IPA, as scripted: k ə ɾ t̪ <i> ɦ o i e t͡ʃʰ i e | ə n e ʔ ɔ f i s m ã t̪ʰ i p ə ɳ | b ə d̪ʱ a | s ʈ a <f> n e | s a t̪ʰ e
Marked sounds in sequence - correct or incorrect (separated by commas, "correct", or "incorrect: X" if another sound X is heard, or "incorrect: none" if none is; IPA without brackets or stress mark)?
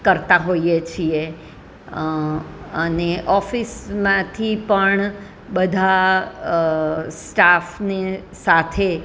incorrect: a, correct